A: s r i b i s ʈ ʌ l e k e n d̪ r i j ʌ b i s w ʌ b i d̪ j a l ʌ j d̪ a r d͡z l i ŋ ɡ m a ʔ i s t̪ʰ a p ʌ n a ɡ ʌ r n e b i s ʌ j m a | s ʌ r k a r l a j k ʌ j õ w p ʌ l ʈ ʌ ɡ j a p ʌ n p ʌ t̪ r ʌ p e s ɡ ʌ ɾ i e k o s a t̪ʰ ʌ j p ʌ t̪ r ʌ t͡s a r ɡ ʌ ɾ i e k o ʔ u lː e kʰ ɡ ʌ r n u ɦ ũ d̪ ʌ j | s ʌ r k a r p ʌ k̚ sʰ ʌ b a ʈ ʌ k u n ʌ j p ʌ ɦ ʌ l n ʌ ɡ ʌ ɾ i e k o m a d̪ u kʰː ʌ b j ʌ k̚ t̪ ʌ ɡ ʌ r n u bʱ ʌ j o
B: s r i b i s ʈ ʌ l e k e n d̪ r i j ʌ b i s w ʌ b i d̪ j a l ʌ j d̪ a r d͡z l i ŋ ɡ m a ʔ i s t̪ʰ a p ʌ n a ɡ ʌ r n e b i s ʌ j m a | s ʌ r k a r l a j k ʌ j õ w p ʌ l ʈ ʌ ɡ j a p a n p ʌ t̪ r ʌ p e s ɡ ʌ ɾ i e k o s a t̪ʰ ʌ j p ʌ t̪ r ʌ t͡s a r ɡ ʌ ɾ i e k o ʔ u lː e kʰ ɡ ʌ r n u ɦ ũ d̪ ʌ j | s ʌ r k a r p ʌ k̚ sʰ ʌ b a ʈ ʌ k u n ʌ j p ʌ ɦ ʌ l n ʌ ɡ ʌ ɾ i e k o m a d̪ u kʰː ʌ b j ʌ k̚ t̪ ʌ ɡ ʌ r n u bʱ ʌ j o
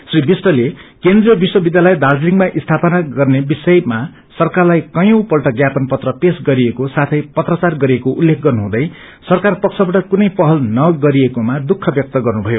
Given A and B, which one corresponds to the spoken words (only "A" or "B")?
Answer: A